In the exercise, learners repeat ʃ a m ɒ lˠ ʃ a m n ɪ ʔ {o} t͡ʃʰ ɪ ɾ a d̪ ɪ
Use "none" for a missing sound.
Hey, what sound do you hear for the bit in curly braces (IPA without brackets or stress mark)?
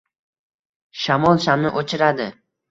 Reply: o